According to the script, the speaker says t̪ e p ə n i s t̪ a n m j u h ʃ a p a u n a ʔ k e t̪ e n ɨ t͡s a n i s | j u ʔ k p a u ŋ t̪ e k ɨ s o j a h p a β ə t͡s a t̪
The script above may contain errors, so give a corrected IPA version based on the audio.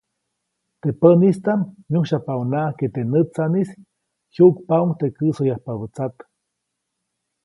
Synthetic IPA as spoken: t̪ e p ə n i s t̪ a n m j u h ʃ a p a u n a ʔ k e t̪ e n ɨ t͡s a n i s | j u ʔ k p a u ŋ t̪ e k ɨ s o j a h p a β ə t͡s a t̪